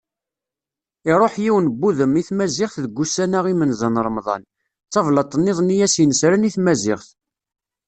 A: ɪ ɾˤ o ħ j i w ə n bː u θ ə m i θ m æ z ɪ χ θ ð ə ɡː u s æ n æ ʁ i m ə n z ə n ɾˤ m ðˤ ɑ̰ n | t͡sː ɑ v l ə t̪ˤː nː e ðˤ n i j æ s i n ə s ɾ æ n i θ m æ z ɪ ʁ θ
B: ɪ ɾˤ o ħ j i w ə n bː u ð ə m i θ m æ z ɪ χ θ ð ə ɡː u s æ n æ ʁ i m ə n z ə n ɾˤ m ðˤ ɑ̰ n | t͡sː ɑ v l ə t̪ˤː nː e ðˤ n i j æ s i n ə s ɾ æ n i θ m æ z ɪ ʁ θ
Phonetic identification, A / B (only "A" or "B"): B